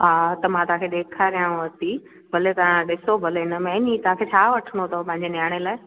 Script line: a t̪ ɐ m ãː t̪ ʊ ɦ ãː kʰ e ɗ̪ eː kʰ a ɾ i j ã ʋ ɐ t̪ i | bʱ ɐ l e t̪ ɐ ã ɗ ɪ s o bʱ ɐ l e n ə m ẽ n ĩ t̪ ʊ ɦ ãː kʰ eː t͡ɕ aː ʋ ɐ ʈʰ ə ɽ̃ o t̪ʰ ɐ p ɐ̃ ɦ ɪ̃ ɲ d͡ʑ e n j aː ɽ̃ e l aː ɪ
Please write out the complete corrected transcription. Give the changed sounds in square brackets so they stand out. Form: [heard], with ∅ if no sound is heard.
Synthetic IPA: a t̪ ɐ m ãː t̪ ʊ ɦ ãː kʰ e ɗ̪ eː kʰ a ɾ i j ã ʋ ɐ t̪ i | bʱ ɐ l e t̪ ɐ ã ɗ ɪ s o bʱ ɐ l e n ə m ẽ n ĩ t̪ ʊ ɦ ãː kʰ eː [t͡ɕʰ] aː ʋ ɐ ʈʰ ə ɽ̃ o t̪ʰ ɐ p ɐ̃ ɦ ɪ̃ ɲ d͡ʑ e n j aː ɽ̃ e l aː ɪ